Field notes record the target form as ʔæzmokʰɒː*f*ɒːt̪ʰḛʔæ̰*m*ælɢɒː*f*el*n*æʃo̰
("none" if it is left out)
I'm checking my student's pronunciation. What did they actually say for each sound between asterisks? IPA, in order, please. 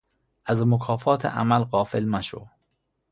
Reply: f, m, f, m

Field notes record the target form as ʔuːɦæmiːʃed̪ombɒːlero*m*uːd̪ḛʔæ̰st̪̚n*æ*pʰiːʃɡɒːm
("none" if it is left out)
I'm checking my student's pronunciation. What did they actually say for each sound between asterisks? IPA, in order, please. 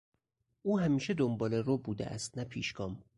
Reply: b, æ

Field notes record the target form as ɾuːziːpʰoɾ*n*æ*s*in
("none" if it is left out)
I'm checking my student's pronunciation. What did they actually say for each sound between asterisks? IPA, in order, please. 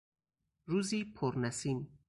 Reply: n, s

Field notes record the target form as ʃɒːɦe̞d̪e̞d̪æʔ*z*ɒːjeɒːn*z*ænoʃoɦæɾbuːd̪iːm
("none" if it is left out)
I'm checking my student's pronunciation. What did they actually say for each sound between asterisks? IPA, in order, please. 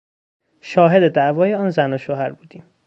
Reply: v, z

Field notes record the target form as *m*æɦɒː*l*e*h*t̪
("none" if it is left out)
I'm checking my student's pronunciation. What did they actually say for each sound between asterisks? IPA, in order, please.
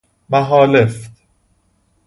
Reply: m, l, f

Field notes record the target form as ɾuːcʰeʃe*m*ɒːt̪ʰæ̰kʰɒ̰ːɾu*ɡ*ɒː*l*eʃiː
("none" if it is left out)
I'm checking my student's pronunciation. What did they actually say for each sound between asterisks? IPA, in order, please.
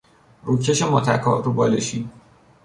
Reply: m, b, l

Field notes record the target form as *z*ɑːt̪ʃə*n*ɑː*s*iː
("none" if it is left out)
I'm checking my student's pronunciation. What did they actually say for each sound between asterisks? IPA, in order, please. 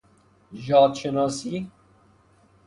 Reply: ʒ, n, s

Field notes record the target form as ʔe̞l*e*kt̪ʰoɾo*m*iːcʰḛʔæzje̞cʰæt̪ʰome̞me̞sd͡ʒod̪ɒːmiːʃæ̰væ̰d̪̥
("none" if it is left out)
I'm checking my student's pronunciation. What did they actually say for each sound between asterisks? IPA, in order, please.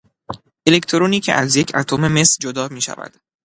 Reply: e, n

